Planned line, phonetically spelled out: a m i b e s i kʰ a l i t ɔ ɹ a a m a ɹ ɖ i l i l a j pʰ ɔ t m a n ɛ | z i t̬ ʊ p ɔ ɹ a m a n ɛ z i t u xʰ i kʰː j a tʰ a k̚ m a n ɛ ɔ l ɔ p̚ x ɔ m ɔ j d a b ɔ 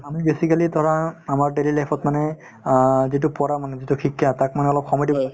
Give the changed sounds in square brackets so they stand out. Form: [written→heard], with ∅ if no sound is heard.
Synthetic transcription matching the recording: a m i b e s i [kʰ→k] a l i t ɔ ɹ a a m a ɹ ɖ [i→e] l i l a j pʰ ɔ t m a n ɛ | z i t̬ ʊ p ɔ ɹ a m a n ɛ z i t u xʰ i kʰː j a [tʰ→t] a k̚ m a n ɛ ɔ l ɔ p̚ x ɔ m ɔ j d [a→i] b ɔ